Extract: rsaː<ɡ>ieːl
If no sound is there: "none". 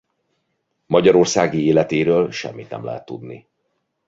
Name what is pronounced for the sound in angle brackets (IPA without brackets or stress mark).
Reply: ɡ